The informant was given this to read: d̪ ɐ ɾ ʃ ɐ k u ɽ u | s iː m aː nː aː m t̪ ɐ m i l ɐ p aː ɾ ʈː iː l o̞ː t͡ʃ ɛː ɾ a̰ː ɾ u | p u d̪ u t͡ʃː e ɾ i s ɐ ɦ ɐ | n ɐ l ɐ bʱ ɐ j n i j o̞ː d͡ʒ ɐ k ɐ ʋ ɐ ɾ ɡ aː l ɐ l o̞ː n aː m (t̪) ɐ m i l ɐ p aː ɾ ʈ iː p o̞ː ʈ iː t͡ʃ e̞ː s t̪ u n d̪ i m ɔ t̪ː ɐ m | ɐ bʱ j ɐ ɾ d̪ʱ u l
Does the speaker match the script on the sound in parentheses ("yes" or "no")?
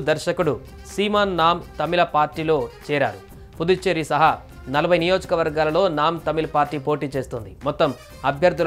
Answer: yes